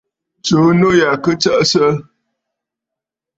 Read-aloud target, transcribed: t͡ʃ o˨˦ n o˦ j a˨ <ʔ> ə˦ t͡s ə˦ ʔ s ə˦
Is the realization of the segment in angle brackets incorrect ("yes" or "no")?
yes